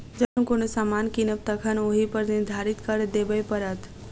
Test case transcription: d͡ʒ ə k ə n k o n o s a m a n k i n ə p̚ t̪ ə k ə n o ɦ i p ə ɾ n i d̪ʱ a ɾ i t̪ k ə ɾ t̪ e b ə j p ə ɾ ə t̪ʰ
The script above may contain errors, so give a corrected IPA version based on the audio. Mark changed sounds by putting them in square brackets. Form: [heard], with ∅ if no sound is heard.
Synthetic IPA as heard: d͡ʒ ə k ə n k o n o s a m a n k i n ə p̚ t̪ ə [kʰ] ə n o ɦ i p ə ɾ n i d̪ʱ a ɾ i t̪ k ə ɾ [d̪] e b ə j p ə ɾ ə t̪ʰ